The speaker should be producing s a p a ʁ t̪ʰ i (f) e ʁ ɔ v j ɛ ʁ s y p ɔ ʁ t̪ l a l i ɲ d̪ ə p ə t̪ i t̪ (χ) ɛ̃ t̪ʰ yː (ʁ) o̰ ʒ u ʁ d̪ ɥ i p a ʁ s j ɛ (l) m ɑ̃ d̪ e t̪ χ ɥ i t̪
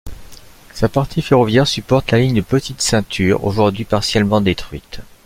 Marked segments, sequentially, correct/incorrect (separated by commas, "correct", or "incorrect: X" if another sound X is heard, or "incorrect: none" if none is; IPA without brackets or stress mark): correct, incorrect: s, correct, correct